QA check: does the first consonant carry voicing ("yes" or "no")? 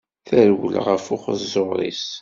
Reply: no